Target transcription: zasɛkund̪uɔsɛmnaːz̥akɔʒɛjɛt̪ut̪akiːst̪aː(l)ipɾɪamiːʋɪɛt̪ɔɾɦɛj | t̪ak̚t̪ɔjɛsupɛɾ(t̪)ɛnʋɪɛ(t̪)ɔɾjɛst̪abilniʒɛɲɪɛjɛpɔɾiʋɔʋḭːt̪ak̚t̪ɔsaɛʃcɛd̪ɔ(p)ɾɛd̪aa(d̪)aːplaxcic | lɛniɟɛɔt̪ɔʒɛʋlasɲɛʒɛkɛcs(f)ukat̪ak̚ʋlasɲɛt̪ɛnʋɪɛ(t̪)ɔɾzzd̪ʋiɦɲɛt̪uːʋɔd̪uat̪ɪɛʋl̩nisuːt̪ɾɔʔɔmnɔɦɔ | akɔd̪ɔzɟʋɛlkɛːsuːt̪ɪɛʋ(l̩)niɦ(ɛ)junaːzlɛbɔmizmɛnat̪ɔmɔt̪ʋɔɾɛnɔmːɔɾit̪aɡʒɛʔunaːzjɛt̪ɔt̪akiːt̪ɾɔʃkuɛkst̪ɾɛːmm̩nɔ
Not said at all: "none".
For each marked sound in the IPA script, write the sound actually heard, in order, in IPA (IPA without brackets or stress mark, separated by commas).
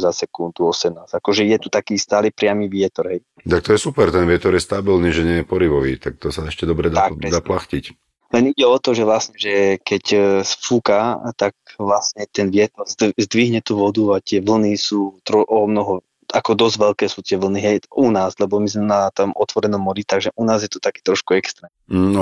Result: l, t̪, t̪, b, d̪, f, t̪, l̩, ɛ